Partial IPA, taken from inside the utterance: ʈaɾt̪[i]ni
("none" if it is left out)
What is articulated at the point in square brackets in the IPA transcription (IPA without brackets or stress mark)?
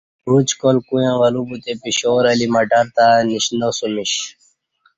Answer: a